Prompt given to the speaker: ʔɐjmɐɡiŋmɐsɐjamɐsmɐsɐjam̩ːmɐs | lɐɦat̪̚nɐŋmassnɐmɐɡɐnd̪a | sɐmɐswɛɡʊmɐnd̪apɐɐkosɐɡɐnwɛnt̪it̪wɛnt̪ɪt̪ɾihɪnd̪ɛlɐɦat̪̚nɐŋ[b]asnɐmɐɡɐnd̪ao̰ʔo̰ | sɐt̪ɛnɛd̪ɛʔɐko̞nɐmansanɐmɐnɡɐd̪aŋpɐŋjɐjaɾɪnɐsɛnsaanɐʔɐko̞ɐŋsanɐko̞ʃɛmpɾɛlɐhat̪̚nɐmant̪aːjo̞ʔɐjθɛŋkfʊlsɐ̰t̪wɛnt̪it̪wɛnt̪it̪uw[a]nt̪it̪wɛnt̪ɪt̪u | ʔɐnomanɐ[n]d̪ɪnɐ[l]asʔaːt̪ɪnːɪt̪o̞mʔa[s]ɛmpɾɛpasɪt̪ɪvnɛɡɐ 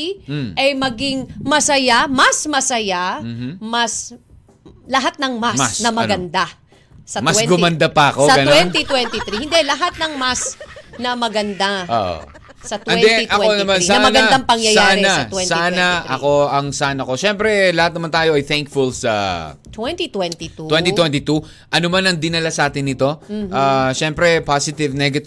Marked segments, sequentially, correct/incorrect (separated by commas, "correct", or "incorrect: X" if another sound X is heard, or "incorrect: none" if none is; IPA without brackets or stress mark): incorrect: m, incorrect: ɛ, incorrect: ŋ, correct, incorrect: ʃ